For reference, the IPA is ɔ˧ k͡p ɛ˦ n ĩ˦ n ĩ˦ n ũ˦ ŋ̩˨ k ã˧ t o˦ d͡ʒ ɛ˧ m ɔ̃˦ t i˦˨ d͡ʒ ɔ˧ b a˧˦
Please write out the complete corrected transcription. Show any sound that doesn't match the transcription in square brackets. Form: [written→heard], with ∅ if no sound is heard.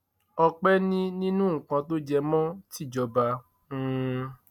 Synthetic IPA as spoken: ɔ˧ k͡p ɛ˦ n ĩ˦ n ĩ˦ n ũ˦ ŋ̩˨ k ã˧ t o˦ d͡ʒ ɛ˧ m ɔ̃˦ t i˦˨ d͡ʒ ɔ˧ b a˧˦